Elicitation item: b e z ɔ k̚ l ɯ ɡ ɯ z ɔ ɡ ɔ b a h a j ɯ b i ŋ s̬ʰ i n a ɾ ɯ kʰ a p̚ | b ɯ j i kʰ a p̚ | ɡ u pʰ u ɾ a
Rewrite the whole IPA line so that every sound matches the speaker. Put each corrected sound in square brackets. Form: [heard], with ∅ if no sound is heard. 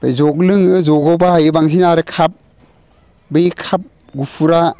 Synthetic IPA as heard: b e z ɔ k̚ l ɯ [ŋ] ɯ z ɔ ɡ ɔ b a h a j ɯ b [a] ŋ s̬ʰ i n a ɾ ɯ kʰ a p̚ | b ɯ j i kʰ a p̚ | ɡ u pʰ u ɾ a